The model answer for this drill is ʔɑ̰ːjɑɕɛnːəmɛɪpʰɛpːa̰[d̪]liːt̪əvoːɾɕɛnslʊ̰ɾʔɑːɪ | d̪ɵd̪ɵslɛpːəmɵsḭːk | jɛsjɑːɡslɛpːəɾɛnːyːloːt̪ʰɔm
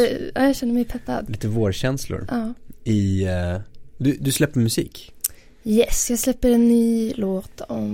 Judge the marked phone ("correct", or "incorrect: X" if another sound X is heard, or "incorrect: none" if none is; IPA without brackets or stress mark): correct